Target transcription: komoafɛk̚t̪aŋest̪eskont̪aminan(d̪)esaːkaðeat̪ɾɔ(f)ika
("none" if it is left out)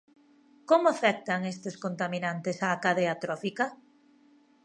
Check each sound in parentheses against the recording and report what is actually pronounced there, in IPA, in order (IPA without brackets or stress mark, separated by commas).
t̪, f